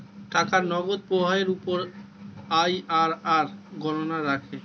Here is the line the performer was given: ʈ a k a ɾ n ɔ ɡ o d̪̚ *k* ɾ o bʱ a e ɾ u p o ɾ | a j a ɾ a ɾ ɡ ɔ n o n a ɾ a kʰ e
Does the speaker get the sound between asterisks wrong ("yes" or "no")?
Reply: yes